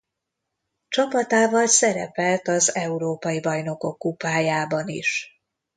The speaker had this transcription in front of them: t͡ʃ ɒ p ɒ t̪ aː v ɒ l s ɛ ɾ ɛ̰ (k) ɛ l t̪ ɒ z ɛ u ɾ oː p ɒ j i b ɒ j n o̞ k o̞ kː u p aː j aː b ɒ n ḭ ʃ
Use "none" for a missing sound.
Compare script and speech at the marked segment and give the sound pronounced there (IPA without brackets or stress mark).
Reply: p